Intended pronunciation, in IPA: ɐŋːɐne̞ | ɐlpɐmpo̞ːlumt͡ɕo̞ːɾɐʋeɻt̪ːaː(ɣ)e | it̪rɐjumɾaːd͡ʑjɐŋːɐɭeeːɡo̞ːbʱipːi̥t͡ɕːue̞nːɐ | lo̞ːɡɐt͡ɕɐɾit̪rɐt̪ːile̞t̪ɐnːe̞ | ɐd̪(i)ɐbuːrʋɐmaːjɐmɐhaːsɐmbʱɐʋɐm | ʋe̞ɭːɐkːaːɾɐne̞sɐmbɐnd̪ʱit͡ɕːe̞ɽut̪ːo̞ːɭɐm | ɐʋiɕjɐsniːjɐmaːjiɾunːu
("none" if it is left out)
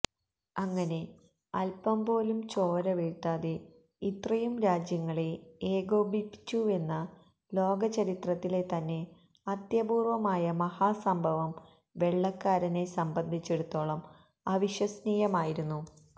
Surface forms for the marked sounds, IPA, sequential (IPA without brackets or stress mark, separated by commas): ð, j